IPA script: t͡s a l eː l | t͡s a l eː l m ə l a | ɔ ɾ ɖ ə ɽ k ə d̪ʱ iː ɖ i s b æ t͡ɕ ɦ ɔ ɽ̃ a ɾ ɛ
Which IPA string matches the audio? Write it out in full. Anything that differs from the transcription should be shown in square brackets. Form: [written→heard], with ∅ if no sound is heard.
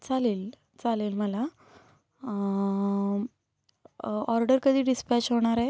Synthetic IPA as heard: t͡s a l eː l | t͡s a l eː l m ə l a | ɔ ɾ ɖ ə [ɽ→ɾ] k ə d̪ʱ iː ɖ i s [b→p] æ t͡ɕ ɦ [ɔ→o] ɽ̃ a ɾ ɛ

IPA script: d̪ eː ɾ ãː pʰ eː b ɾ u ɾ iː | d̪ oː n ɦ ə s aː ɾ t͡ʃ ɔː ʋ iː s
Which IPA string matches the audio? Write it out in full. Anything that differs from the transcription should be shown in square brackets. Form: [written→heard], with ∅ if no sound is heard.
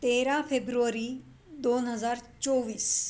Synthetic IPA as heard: [d̪→t̪] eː ɾ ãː pʰ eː b ɾ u ɾ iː | d̪ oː n ɦ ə [s→z] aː ɾ t͡ʃ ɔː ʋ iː s

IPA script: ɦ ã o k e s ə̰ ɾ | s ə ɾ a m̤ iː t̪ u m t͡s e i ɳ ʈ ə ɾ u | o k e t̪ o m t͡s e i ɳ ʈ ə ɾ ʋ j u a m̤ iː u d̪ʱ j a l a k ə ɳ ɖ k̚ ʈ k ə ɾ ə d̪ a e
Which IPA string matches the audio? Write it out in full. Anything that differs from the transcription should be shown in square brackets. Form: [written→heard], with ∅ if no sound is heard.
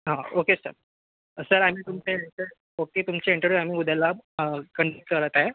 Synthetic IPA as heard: ɦ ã o k e s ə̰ ɾ | s ə ɾ a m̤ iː t̪ u m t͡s e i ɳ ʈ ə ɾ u | o k e t̪ [o→u] m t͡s e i ɳ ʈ ə ɾ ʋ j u a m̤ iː u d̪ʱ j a l a k ə ɳ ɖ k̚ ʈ k ə ɾ ə [d̪→t̪] a e

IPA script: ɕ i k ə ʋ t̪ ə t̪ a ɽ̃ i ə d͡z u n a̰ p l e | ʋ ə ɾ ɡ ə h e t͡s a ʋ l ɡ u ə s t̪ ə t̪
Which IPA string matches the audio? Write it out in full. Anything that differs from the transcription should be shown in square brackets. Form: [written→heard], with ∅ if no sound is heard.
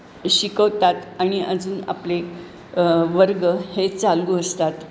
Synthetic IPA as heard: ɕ i k ə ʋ t̪ [ə→a] t̪ a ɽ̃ i ə d͡z [u→uː] n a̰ p l e | ʋ ə ɾ ɡ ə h e t͡s a [ʋ→∅] l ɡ u ə s t̪ [ə→a] t̪

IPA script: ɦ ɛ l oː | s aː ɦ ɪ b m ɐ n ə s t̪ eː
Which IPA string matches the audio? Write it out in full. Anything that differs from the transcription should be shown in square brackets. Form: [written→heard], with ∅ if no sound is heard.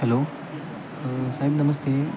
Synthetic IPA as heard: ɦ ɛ l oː | s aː ɦ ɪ b [m→n] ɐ [n→m] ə s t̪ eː

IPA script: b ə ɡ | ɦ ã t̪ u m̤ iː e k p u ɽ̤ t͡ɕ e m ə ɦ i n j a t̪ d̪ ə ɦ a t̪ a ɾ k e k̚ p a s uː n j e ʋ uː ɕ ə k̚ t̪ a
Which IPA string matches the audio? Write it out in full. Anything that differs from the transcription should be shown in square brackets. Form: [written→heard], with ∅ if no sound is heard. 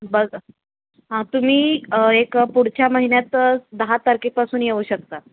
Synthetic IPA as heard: b ə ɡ | ɦ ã t̪ u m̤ iː e k p u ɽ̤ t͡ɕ [e→a] m ə ɦ i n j a t̪ d̪ ə ɦ a t̪ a ɾ k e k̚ p a s uː n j e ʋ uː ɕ ə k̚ t̪ a

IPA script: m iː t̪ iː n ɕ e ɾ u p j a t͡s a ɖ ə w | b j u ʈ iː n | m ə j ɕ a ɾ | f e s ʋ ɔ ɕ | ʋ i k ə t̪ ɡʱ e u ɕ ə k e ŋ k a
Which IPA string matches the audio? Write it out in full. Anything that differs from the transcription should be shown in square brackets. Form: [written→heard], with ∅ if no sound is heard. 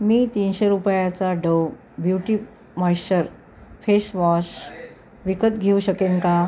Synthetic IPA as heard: m iː t̪ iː n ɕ e ɾ u p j a t͡s a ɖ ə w | b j u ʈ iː [n→∅] | m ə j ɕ [a→ə] ɾ | f e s ʋ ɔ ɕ | ʋ i k ə t̪ ɡʱ e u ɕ ə k e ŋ k a

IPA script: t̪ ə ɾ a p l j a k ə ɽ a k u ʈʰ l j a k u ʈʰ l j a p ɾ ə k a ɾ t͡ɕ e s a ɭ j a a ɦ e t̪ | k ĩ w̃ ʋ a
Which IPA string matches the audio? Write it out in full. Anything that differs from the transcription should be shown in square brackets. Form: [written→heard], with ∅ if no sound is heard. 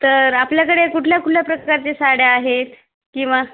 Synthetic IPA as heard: t̪ ə ɾ a p l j a k ə ɽ [a→e] k u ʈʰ l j a k u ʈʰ l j a p ɾ ə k a ɾ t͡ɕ e s a [ɭ→ɽ] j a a ɦ e t̪ | k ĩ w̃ ʋ a

